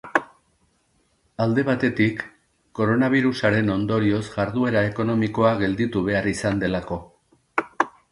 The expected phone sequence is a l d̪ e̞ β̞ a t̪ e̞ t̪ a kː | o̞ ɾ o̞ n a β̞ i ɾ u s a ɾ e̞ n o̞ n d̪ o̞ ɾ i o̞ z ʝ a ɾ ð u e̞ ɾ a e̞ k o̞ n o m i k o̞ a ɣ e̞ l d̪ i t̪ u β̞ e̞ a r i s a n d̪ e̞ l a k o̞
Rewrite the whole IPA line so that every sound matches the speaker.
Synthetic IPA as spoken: a l d̪ e̞ β̞ a t̪ e̞ t̪ i kː | o̞ ɾ o̞ n a β̞ i ɾ u s a ɾ e̞ n o̞ n d̪ o̞ ɾ i o̞ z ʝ a ɾ ð u e̞ ɾ a e̞ k o̞ n o m i k o̞ a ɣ e̞ l d̪ i t̪ u β̞ e̞ a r i s a n d̪ e̞ l a k o̞